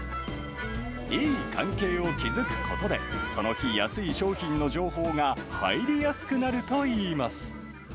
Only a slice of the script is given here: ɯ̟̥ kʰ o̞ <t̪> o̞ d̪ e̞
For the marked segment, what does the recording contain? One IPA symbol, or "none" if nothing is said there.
t̪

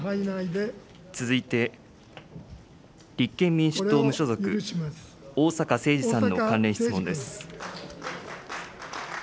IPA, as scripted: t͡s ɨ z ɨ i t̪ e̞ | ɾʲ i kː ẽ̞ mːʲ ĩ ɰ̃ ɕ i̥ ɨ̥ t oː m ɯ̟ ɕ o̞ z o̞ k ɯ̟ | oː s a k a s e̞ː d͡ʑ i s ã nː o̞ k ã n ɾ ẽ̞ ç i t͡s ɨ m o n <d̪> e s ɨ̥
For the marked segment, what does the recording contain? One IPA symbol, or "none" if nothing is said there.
d̪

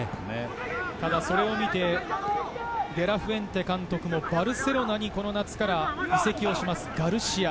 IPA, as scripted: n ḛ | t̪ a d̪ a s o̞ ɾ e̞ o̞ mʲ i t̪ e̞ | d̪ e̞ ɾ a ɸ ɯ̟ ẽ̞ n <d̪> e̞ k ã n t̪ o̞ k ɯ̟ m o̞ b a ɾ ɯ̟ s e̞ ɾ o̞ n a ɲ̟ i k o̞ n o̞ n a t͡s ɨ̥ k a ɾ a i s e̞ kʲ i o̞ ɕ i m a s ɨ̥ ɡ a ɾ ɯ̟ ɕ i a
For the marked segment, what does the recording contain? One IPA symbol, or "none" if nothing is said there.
t̪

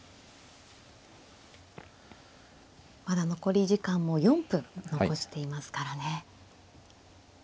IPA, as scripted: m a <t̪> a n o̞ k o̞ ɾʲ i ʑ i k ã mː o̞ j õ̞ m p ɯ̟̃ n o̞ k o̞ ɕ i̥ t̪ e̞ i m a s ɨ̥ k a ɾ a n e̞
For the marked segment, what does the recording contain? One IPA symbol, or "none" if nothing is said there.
d̪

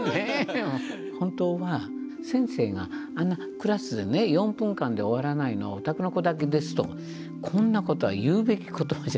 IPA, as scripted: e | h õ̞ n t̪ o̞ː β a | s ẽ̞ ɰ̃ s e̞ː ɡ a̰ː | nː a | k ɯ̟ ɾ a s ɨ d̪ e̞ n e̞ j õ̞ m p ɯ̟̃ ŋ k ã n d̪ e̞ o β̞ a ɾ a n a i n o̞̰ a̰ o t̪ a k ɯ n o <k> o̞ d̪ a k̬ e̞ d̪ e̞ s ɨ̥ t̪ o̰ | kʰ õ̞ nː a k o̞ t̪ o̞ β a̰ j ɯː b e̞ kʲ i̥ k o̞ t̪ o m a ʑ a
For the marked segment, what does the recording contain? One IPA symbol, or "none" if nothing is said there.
k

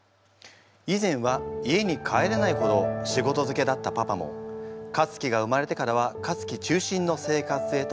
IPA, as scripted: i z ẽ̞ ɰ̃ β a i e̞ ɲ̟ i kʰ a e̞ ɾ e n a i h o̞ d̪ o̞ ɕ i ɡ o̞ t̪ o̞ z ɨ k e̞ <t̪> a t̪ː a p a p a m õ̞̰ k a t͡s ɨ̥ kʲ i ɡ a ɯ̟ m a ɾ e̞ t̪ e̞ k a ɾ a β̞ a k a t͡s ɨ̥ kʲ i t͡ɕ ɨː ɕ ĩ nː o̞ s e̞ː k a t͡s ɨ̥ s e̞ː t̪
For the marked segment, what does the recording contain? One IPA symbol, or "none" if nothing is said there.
d̪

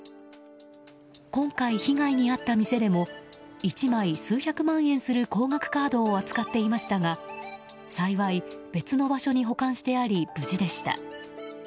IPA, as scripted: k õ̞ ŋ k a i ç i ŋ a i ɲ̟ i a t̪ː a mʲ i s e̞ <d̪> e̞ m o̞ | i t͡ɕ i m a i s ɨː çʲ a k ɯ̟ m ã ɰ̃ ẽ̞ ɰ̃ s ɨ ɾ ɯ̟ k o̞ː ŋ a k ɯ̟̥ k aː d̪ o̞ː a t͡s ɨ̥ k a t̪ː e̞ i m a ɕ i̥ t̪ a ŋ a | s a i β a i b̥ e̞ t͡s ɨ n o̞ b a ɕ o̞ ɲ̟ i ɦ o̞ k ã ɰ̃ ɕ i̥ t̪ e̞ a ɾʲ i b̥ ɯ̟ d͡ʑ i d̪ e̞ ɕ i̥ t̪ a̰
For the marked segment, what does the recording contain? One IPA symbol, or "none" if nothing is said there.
d̪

